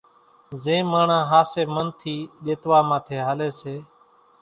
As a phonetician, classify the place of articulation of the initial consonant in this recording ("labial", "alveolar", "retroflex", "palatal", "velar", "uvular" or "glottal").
alveolar